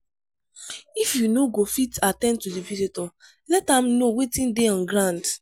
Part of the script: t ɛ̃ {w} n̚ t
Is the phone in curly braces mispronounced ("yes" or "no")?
yes